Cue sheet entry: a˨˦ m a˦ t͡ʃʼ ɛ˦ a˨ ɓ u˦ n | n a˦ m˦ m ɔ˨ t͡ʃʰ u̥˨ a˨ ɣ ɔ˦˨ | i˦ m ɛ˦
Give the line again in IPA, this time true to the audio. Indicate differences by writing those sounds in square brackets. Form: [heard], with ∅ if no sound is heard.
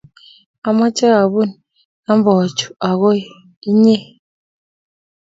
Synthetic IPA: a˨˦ m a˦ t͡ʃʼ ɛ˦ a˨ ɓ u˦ n | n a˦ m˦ [b] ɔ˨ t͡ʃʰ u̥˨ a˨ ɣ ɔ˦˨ | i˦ [ɲ] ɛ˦